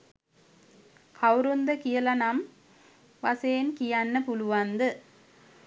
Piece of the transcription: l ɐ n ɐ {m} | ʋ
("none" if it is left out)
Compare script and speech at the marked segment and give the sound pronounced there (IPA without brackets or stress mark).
m